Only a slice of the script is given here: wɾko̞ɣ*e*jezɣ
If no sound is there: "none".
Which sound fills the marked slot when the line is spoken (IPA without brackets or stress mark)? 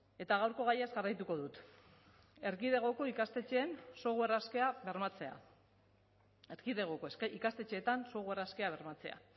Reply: a